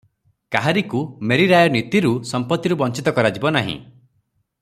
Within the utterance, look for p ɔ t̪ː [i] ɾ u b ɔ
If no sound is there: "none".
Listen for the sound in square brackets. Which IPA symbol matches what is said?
i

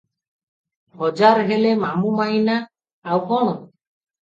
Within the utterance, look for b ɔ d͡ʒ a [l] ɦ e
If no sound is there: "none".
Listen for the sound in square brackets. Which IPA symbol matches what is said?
ɾ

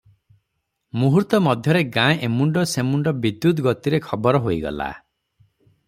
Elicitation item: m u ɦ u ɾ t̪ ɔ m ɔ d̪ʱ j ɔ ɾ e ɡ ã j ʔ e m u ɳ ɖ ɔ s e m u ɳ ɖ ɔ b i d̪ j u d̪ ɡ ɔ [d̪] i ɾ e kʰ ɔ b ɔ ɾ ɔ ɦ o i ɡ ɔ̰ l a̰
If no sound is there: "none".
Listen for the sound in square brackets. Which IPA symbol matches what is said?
t̪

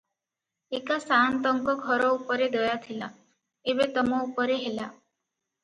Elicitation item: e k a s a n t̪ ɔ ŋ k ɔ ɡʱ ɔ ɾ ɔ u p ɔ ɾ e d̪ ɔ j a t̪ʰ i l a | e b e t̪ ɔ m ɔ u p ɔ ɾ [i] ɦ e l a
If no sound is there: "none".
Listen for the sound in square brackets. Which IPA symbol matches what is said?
e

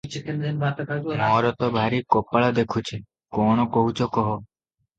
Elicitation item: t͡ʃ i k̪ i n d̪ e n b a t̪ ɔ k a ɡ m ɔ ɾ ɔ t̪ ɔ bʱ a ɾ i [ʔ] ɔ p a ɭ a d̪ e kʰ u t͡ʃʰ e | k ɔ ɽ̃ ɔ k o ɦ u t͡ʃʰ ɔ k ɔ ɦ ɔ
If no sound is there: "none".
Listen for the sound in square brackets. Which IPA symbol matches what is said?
k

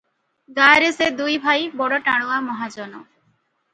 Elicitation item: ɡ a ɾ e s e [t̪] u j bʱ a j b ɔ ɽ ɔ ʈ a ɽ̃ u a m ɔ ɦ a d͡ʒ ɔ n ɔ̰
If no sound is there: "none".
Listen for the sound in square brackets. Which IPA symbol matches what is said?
d̪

